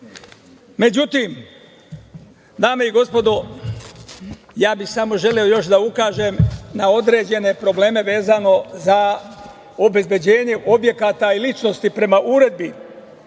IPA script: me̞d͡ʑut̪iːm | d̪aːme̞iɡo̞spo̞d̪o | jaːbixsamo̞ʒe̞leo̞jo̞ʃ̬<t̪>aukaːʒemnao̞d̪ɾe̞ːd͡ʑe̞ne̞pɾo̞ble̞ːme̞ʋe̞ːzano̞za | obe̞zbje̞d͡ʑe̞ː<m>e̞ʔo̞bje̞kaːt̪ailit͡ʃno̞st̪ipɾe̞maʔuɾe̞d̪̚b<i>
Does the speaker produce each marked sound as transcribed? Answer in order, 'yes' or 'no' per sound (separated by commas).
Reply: no, no, yes